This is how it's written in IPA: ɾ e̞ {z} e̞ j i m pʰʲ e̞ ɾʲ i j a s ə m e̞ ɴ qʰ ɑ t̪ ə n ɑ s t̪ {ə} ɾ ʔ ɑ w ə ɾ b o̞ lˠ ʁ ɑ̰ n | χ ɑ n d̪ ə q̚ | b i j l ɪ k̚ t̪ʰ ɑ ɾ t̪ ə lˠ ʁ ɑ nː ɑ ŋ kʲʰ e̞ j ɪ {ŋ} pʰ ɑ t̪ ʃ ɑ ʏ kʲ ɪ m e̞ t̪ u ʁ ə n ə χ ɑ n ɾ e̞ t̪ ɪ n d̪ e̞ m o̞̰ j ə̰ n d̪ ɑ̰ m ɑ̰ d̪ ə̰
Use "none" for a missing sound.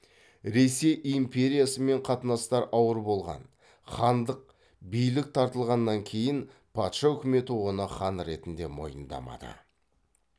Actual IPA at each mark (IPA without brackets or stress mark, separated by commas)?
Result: s, ɑ, n